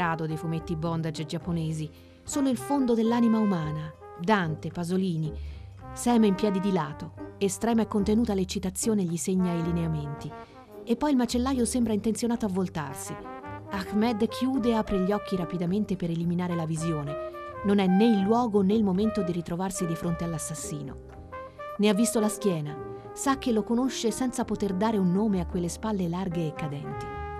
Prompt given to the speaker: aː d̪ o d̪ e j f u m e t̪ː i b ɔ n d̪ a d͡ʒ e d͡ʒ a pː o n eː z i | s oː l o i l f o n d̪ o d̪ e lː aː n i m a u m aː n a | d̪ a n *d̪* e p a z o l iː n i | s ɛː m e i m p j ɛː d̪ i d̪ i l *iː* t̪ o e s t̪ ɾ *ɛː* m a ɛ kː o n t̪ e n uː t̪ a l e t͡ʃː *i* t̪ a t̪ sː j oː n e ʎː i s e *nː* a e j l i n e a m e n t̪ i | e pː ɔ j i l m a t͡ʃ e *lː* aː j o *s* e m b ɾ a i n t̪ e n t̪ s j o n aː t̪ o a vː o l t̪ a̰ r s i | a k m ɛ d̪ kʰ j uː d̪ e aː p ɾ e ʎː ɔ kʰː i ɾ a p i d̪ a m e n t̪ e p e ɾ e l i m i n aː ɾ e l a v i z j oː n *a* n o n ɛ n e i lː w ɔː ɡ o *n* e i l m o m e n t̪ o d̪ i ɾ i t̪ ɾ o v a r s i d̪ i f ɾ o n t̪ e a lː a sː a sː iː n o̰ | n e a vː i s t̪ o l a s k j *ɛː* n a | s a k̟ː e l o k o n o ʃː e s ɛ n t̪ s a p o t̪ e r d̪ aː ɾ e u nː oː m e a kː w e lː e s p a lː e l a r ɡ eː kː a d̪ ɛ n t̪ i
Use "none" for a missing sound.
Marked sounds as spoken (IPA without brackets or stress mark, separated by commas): t̪, aː, ɛː, i, ɲː, lː, s, e, n, ɛː